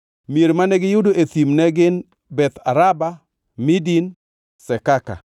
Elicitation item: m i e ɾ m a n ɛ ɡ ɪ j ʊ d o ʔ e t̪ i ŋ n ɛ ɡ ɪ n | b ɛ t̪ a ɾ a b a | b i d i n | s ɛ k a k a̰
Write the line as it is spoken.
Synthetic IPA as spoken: m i e ɾ m a n ɛ ɡ ɪ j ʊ d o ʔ e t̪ i m n ɛ ɡ ɪ n | b ɛ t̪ a ɾ a b a | m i d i n | s ɛ k a k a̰

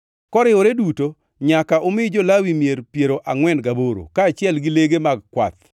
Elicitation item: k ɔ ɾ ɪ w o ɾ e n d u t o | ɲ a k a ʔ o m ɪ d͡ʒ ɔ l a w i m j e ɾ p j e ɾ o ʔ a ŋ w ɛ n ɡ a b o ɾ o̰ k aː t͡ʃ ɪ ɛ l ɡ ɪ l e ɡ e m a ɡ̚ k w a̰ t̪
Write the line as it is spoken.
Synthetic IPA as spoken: k ɔ ɾ ɪ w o ɾ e d u t o | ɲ a k a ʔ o m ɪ d͡ʒ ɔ l a w i m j e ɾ p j e ɾ o ʔ a ŋ w ɛ n ɡ a b o ɾ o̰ k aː t͡ʃ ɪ ɛ l ɡ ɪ l e ɡ e m a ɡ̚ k w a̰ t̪

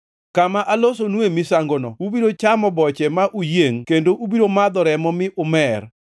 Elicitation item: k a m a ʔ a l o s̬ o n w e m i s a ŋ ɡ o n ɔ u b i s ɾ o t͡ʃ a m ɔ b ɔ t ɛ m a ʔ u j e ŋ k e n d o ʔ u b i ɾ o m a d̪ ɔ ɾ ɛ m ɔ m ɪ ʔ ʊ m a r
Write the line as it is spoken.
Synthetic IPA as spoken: k a m a ʔ a l o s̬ o n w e m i s a ŋ ɡ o n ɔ u b i ɾ o t͡ʃ a m ɔ b ɔ t͡ʃ ɛ m a ʔ u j e ŋ k e n d o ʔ u b i ɾ o m a d̪ ɔ ɾ ɛ m ɔ m ɪ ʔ ʊ m ɛ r

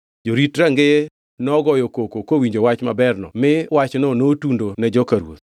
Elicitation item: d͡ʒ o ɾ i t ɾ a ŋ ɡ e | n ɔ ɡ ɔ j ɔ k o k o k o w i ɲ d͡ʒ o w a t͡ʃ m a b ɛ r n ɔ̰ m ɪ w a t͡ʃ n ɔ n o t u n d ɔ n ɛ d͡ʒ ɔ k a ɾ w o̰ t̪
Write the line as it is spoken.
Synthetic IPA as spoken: d͡ʒ o ɾ i t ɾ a ŋ ɡ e | n ɔ ɡ ɔ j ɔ k o k o k o w i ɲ d͡ʒ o w a t͡ʃ m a b ɛ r n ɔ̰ m ɪ w a t͡ʃ n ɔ n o t u n d o n ɛ d͡ʒ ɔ k a ɾ w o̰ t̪

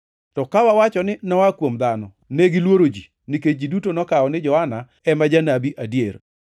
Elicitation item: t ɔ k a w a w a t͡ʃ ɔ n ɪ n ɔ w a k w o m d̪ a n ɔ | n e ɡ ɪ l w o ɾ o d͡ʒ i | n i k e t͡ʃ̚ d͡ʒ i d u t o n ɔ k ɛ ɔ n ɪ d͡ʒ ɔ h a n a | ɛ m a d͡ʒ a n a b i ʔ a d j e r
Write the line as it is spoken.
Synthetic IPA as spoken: t ɔ k a w a w a t͡ʃ ɔ n ɪ n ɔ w a k w o m d̪ a n ɔ | n e ɡ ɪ l w o ɾ o d͡ʒ i | n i k e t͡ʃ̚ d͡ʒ i d u t o n ɔ k a ɔ n ɪ d͡ʒ ɔ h a n a | ɛ m a d͡ʒ a n a b i ʔ a d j e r

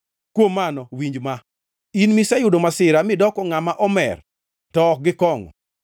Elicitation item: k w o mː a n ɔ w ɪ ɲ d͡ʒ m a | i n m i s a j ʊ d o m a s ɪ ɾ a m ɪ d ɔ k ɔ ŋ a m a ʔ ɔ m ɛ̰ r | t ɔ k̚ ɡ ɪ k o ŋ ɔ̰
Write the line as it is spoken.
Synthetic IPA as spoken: k w o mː a n ɔ w i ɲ d͡ʒ m a | i n m i s a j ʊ d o m a s ɪ ɾ a m ɪ d ɔ k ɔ ŋ a m a ʔ ɔ m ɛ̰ r | t ɔ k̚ ɡ ɪ k ɔ ŋ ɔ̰

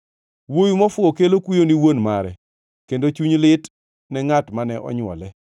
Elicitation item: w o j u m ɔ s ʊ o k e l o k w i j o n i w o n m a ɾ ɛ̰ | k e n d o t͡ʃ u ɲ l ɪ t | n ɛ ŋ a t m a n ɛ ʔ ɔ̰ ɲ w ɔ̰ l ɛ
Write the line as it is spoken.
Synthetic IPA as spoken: w o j u m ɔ f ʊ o k e l o k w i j o n i w o n m a ɾ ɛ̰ | k e n d o t͡ʃ u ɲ l ɪ t | n ɛ ŋ a t m a n ɛ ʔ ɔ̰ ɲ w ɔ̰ l ɛ

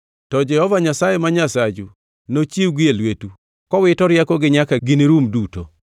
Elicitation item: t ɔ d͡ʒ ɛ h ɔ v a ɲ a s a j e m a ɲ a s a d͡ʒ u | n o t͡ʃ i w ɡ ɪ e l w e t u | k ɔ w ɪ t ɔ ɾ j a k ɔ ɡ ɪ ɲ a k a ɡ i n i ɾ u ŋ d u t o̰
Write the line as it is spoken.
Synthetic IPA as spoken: t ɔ d͡ʒ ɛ h ɔ v a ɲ a s a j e m a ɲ a s a d͡ʒ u | n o t͡ʃ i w ɡ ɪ e l w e t u | k ɔ w ɪ t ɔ ɾ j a k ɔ ɡ ɪ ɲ a k a ɡ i n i ɾ u m d u t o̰

